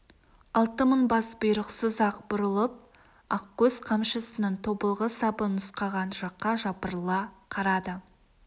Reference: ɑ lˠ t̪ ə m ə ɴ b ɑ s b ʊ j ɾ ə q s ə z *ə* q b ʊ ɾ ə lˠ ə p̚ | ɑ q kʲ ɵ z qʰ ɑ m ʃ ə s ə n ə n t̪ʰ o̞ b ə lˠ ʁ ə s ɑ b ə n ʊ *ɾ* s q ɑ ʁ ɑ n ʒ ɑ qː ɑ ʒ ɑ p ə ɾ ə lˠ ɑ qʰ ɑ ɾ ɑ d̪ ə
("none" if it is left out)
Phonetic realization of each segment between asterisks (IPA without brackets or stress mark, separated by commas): ɑ, none